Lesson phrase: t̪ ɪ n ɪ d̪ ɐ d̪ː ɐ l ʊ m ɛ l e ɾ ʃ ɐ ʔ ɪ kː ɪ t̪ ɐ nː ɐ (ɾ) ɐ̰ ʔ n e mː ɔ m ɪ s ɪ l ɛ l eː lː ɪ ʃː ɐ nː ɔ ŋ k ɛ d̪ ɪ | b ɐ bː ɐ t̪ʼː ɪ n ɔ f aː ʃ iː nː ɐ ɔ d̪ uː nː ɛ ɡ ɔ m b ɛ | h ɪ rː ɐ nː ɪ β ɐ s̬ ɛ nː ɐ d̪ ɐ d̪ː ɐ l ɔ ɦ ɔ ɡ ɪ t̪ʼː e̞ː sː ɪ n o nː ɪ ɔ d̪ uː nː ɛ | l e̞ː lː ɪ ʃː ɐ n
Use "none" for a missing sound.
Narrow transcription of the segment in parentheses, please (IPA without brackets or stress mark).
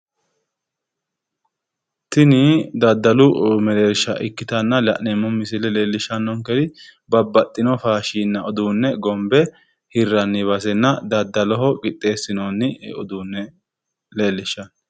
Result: l